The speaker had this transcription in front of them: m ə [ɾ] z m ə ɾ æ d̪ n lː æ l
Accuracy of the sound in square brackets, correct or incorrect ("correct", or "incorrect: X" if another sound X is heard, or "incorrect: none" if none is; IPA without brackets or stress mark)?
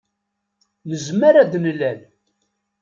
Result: incorrect: none